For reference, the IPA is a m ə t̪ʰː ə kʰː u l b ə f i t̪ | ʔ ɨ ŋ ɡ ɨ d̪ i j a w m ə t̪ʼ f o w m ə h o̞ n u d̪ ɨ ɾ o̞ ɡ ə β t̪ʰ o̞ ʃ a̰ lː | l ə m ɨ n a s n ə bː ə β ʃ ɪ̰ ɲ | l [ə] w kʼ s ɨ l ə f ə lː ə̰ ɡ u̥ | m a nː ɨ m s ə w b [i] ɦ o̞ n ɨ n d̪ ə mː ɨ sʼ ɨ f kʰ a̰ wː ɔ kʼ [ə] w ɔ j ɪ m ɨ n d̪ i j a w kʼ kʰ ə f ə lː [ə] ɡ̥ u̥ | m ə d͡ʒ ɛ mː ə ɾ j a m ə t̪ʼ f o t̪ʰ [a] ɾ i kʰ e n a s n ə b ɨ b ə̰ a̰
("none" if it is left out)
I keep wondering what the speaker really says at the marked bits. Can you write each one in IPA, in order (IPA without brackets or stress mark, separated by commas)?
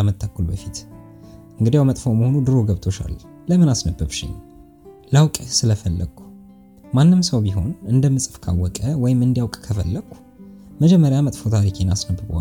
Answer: a, i, ə, ə, a